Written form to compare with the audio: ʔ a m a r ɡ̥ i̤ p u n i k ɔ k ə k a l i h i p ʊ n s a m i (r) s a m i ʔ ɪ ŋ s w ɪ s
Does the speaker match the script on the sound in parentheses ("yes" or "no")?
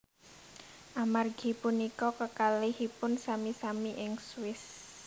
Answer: no